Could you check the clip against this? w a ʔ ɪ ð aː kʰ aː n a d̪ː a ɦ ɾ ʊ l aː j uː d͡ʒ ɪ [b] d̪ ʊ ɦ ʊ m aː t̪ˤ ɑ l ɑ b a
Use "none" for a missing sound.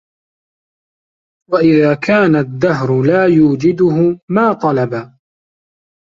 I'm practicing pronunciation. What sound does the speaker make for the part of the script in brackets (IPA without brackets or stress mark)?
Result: none